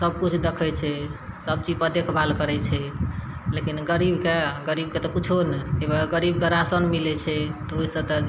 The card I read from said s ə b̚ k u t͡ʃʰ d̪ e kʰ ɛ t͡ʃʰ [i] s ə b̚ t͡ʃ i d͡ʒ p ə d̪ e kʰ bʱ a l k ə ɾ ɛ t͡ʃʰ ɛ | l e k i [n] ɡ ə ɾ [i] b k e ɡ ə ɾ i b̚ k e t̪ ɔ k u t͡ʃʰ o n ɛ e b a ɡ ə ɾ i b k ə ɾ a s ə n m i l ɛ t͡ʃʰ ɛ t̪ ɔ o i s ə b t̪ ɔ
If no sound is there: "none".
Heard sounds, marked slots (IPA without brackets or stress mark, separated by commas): ɛ, n, i